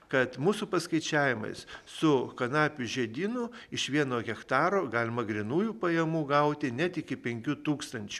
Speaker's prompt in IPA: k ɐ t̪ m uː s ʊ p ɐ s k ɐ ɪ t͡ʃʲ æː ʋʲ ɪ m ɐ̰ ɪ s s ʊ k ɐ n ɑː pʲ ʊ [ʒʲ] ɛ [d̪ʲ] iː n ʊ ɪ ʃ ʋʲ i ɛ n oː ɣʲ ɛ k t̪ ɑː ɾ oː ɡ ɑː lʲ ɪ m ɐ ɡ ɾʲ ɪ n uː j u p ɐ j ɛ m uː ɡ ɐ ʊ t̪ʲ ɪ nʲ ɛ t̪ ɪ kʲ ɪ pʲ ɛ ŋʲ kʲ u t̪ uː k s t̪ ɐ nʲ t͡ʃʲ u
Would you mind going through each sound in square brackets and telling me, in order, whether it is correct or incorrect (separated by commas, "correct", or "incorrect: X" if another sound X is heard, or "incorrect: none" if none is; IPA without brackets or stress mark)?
correct, correct